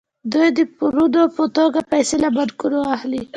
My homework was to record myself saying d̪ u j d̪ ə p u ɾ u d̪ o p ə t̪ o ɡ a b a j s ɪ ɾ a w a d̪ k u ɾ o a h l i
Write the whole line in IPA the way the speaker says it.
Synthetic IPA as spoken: d̪ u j d̪ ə p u ɾ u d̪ o p ə t̪ o ɡ a p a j s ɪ l a b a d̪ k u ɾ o a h l i